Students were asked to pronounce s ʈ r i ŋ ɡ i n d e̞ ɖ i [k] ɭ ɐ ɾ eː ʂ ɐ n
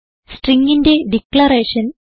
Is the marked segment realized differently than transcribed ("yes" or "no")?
no